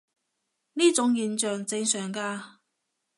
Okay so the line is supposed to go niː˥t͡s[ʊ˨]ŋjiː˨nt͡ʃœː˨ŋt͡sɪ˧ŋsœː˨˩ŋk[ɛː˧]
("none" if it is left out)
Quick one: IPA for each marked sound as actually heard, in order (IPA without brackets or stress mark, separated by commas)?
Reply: ʊ˨˥, aː˧